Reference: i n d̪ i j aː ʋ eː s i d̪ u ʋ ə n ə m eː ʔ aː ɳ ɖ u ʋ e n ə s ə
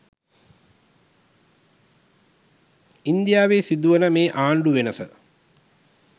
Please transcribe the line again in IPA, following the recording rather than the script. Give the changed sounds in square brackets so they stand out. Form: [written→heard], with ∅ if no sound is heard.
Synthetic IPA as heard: i n d̪ i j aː ʋ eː s i d̪ u ʋ ə n ə m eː ʔ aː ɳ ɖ u ʋ e n ə s ə